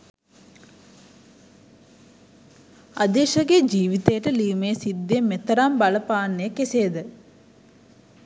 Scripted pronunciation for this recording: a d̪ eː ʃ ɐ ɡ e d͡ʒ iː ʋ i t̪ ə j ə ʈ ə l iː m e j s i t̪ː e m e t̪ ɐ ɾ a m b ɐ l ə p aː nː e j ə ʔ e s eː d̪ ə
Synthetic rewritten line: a d̪ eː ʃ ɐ ɡ e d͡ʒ iː ʋ i t̪ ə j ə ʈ ə l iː m e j s i d̪ː e m e t̪ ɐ ɾ a m b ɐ l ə p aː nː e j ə k e s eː d̪ ə